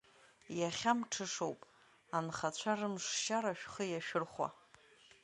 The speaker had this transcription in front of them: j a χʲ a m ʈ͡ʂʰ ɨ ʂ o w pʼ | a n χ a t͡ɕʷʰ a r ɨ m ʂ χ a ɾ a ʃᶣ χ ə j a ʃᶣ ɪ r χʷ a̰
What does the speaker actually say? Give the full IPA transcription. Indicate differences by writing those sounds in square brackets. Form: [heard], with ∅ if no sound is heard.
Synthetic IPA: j a χʲ a m ʈ͡ʂʰ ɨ ʂ o w pʼ | a n χ a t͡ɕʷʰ a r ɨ m ʂ [ʃ] a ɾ a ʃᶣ χ ə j a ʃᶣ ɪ r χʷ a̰